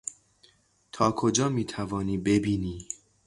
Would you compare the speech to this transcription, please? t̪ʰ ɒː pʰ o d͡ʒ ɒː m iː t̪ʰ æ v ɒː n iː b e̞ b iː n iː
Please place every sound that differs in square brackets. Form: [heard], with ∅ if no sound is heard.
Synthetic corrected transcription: t̪ʰ ɒː [kʰ] o d͡ʒ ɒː m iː t̪ʰ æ v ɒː n iː b e̞ b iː n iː